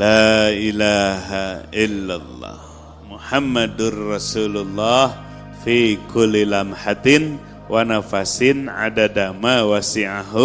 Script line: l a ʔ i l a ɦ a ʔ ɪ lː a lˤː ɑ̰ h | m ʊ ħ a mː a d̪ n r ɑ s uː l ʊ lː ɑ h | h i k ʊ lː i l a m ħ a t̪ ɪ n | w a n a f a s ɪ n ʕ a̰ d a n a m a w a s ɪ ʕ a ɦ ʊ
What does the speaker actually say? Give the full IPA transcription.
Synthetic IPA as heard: l a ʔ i l a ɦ a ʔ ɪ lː a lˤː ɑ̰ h | m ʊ ħ a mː a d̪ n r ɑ s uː l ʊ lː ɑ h | f i k ʊ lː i l a m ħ a t̪ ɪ n | w a n a f a s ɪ n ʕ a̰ d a d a m a w a s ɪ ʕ a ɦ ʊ